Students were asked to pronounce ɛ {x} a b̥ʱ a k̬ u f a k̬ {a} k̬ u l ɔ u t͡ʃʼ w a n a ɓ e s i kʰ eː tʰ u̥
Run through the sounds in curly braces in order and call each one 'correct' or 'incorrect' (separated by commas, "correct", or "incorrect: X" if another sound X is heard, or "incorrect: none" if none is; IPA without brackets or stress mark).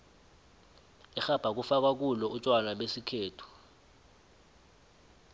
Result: correct, correct